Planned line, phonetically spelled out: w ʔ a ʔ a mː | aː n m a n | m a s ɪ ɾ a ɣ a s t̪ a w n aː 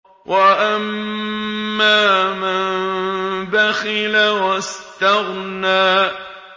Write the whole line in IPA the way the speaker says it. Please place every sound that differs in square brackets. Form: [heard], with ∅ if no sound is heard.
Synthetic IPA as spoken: w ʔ a ʔ a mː | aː [∅] m a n | [b] a [x] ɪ [l] a [w] a s t̪ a [ɣ] n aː